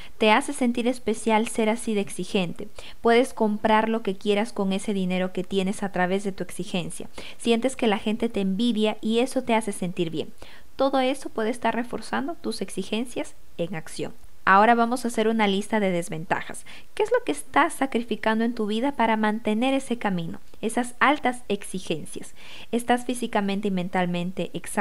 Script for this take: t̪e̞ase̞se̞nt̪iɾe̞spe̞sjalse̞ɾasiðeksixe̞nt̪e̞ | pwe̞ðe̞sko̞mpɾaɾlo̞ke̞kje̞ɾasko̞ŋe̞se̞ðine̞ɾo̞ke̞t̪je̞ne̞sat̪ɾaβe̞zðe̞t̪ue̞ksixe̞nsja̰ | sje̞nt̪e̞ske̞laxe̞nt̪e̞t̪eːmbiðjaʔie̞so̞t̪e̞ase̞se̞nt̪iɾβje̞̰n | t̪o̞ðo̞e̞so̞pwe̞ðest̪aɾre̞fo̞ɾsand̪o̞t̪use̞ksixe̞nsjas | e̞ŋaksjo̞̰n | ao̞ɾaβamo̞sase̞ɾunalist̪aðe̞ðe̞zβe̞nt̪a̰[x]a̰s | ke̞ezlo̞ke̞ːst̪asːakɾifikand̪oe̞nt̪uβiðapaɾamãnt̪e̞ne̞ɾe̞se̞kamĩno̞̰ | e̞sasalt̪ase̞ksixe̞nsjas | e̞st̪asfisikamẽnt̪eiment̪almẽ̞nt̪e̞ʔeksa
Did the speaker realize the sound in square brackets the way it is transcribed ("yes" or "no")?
yes